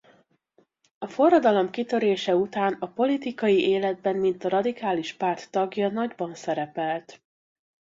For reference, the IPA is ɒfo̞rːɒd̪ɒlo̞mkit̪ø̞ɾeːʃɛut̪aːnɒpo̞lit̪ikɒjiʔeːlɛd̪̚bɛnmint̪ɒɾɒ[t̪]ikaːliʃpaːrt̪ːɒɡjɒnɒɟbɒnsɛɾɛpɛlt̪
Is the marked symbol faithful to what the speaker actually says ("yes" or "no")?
no